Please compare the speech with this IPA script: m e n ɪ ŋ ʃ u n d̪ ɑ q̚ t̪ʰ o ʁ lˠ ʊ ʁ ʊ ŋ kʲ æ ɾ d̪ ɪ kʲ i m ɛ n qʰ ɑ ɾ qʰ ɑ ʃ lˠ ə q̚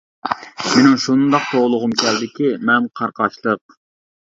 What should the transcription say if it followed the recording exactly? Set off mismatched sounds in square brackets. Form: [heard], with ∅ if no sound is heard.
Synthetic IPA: m e n ɪ ŋ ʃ u n d̪ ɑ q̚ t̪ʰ o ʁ lˠ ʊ ʁ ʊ [m] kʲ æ [l] d̪ ɪ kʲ i m ɛ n qʰ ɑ ɾ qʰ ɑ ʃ lˠ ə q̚